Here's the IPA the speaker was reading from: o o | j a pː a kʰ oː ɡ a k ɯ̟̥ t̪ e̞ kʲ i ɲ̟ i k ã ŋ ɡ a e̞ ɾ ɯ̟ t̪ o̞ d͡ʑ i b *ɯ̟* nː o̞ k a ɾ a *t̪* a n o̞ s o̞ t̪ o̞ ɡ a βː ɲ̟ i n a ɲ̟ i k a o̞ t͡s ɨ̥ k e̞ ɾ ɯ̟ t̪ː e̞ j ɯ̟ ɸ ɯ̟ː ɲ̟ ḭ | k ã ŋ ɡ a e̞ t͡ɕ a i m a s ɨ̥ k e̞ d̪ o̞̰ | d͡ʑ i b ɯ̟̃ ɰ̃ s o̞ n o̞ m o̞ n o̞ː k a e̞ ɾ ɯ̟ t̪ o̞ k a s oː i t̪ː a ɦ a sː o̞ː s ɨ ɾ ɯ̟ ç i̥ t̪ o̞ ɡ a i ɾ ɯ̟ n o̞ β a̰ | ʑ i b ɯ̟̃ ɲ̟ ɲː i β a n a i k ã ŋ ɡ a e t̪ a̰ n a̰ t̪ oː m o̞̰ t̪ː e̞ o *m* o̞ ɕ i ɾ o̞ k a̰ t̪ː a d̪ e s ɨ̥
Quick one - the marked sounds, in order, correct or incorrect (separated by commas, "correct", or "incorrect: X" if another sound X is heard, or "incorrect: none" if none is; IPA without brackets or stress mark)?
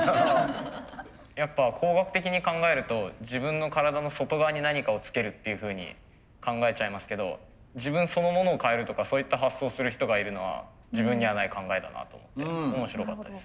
incorrect: ɯ̟̃, incorrect: d̪, correct